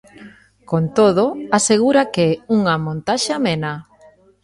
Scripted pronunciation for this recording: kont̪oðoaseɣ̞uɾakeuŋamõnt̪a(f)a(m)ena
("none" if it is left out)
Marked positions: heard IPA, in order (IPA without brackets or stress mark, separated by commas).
ʃ, m